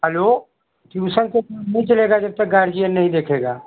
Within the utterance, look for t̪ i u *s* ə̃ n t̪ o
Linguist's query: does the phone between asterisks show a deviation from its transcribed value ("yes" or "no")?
no